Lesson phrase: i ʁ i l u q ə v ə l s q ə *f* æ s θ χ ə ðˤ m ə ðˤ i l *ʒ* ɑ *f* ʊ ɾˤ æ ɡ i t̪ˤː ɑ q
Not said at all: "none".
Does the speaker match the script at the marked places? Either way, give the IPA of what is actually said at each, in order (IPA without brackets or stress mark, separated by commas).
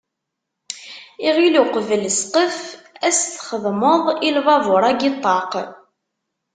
f, v, v